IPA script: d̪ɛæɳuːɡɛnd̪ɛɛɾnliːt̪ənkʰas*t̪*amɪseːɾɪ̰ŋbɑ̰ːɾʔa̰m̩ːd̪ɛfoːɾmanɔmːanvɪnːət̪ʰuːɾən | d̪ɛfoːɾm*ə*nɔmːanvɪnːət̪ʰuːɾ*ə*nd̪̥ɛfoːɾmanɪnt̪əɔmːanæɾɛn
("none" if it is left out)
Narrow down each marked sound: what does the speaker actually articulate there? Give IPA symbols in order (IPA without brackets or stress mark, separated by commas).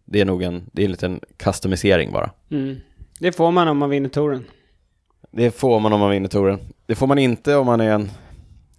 t̪, a, ə